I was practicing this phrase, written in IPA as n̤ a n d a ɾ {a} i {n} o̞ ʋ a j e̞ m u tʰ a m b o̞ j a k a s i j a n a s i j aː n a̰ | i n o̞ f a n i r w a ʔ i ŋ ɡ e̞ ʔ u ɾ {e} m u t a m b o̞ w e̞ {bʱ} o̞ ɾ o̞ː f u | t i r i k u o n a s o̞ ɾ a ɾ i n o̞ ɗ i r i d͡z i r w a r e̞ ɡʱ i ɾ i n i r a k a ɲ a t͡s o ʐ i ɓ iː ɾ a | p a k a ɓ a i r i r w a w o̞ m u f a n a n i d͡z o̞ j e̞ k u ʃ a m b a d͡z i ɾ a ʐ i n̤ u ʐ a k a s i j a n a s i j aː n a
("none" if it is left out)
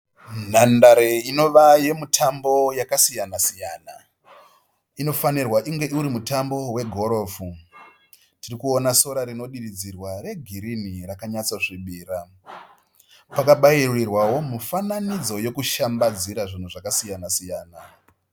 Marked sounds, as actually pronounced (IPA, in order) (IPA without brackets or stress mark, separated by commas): e, n, i, ɡʱ